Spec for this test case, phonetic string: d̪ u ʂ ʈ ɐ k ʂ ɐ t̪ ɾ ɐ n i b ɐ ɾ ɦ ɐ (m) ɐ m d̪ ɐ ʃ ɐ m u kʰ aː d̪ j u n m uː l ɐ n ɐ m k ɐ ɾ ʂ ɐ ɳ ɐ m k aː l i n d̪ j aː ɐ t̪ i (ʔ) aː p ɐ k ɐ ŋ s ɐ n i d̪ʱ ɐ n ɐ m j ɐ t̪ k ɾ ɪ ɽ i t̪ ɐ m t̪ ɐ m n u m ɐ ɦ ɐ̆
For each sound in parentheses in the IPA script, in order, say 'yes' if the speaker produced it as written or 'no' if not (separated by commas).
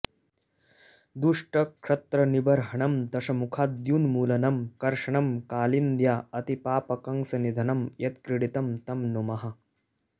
no, no